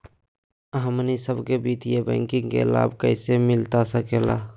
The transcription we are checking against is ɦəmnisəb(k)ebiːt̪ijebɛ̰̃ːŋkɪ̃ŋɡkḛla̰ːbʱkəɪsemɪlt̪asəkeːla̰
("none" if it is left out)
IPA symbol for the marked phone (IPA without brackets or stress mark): k